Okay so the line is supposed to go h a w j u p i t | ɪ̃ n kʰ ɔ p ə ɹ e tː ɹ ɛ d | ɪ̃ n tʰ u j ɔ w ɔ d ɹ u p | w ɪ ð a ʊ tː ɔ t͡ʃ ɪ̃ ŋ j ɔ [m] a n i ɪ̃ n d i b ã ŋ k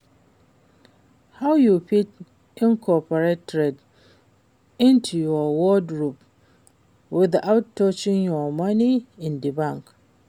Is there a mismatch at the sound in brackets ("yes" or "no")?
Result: no